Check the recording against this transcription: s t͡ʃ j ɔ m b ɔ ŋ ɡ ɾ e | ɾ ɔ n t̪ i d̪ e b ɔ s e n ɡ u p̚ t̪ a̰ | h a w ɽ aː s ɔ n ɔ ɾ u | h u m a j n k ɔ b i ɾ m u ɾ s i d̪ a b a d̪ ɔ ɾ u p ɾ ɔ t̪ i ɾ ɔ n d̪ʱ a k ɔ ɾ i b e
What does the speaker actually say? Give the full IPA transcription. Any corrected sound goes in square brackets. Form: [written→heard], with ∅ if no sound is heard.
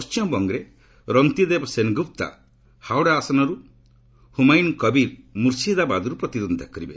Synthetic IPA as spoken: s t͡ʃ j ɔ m b ɔ ŋ ɡ ɾ e | ɾ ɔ n t̪ i d̪ e b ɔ s e n ɡ u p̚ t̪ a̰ | h a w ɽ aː s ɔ n ɔ ɾ u | h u m a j n k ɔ b i ɾ m u ɾ s i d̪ a b a d̪ ɔ ɾ u p ɾ ɔ t̪ i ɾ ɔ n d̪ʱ a k ɔ ɾ i b e